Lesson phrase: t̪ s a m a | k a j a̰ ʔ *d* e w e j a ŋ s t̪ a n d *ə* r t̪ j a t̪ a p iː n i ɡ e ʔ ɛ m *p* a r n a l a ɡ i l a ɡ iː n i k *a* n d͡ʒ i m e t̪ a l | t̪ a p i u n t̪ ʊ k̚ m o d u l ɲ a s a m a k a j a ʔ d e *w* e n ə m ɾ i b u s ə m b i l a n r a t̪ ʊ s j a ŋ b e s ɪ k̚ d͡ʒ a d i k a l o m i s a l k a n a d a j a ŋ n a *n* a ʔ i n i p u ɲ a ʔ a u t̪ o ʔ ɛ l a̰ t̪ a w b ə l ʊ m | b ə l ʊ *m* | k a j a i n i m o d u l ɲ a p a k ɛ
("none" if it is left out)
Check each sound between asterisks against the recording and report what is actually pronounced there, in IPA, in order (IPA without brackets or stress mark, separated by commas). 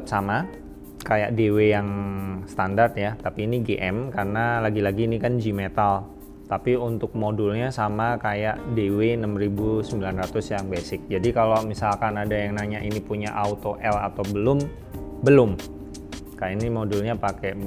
d, a, k, a, w, ɲ, m